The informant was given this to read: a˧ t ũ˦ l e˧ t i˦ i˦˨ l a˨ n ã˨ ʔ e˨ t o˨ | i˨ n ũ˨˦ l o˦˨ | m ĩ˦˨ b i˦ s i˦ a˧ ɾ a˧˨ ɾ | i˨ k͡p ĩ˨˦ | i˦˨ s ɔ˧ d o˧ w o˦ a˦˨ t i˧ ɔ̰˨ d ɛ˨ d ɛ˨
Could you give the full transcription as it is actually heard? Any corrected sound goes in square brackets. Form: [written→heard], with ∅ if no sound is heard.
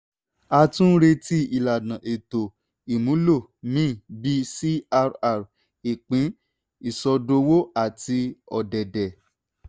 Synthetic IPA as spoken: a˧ t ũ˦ [l→ɾ] e˧ t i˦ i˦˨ l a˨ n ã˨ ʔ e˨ t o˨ | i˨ [n→m] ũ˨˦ l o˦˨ | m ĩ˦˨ b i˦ s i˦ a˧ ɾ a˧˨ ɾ | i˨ k͡p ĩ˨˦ | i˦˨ s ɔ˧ d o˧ w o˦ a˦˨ t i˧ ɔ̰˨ d ɛ˨ d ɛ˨